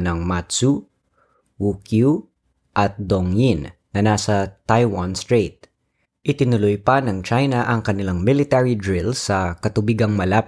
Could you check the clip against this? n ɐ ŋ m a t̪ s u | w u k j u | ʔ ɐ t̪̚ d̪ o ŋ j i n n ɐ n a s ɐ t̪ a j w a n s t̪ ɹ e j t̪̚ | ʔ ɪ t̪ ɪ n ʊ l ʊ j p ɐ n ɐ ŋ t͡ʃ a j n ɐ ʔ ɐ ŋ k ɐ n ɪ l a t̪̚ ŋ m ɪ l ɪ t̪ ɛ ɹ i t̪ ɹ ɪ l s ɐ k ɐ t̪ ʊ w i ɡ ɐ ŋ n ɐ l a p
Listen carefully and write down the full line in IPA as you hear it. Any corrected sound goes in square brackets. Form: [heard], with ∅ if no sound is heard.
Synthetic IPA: n ɐ ŋ m a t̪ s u | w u k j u | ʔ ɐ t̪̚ d̪ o ŋ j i n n ɐ n a s ɐ t̪ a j w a n s t̪ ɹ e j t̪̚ | ʔ ɪ t̪ ɪ n ʊ l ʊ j p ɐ n ɐ ŋ t͡ʃ a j n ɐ ʔ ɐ ŋ k ɐ n ɪ l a [∅] ŋ m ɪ l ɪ t̪ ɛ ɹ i [d̪] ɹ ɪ l s ɐ k ɐ t̪ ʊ [b] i ɡ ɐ ŋ [m] ɐ l a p